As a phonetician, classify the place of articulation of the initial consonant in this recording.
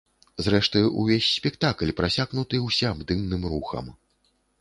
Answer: alveolar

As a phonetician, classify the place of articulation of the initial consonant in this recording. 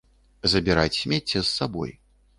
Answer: alveolar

